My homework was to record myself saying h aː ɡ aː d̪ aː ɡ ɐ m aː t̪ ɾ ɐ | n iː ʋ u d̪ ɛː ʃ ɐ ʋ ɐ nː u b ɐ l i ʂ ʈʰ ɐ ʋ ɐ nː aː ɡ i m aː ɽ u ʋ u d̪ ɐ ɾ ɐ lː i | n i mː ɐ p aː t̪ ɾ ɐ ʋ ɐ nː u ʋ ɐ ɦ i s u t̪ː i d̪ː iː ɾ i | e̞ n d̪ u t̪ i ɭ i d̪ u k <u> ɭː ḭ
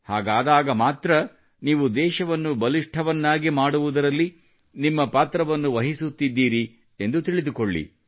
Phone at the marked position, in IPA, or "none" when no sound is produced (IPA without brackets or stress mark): o